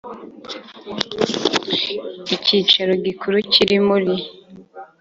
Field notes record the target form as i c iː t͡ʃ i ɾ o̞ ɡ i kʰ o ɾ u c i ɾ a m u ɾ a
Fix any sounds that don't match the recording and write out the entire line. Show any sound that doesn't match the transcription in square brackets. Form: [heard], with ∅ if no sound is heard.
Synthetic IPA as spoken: i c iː t͡ʃ [a] ɾ o̞ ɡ i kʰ [u] ɾ u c i ɾ [i] m u ɾ [i]